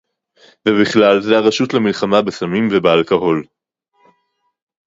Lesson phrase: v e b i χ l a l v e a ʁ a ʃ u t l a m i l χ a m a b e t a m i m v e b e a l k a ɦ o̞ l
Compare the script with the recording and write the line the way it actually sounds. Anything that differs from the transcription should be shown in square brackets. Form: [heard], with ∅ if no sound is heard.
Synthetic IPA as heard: v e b i χ l a l [z] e a ʁ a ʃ u t l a m i l χ a m a b e [s] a m i m v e b e a l k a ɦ o̞ l